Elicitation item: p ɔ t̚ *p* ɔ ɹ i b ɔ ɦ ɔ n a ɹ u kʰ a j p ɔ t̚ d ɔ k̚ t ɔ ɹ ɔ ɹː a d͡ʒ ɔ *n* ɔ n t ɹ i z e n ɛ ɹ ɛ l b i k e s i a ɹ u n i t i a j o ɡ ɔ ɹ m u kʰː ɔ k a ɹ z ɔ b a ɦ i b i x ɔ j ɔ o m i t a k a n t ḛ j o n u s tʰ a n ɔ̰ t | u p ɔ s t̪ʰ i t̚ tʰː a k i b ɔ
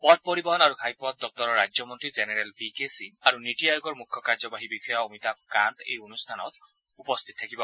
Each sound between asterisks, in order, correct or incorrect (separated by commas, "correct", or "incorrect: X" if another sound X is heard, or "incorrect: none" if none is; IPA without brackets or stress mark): correct, incorrect: m